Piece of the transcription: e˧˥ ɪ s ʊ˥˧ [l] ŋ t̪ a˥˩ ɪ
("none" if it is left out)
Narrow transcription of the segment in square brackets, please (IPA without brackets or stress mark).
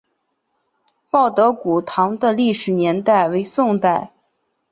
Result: none